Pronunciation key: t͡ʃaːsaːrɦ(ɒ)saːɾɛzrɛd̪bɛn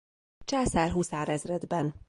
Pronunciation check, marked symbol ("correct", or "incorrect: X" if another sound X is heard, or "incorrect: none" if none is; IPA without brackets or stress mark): incorrect: u